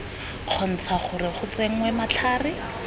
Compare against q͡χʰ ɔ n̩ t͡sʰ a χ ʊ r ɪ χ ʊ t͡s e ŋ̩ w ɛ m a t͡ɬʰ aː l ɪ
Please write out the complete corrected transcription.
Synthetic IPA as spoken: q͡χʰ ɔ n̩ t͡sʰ a χ ʊ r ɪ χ ʊ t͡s e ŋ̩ w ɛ m a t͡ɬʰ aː r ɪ